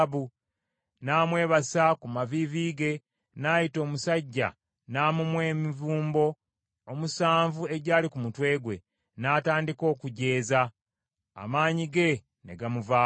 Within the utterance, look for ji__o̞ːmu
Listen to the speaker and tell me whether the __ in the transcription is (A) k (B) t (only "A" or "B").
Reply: B